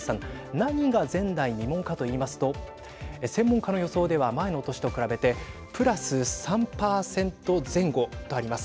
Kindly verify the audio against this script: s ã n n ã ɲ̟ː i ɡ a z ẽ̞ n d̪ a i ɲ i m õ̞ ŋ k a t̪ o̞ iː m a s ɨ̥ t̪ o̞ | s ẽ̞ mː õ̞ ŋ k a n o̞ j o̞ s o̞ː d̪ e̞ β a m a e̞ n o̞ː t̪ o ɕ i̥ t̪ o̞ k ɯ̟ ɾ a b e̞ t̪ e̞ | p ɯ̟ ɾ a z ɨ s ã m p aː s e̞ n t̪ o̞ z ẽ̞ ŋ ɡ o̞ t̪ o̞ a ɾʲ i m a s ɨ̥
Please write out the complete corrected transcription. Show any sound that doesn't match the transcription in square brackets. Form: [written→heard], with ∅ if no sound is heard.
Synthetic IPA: s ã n n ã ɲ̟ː i ɡ a z ẽ̞ n d̪ a i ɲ i m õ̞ ŋ k a t̪ o̞ iː m a s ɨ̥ t̪ o̞ | s ẽ̞ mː õ̞ ŋ k a n o̞ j o̞ s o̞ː d̪ e̞ β a m a e̞ n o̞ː t̪ o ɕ i̥ t̪ o̞ k ɯ̟ ɾ a b e̞ t̪ e̞ | p ɯ̟ ɾ a [z→s] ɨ s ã m p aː s [e̞→ẽ̞] n t̪ o̞ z ẽ̞ ŋ ɡ o̞ t̪ o̞ a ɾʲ i m a s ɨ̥